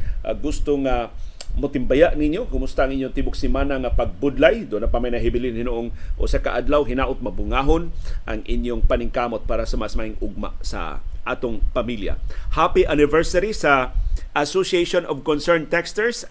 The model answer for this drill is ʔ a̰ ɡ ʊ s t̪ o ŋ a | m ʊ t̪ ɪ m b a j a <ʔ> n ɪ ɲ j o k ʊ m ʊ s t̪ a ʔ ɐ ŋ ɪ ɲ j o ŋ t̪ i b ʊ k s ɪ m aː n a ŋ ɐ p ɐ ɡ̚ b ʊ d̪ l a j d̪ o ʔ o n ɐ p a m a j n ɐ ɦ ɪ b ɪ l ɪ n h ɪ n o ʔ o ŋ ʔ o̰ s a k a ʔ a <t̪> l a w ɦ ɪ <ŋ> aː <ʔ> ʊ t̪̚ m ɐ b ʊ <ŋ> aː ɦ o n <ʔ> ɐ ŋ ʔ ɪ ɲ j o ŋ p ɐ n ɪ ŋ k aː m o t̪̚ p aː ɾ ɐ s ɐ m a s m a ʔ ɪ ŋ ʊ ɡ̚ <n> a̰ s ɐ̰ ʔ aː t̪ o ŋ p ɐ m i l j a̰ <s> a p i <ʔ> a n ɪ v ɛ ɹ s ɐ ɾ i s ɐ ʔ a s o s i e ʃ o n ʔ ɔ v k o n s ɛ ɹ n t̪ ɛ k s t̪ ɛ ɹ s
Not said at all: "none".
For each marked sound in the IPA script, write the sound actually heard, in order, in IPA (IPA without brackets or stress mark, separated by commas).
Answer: ʔ, d̪, n, ʔ, ŋ, ʔ, m, h, ʔ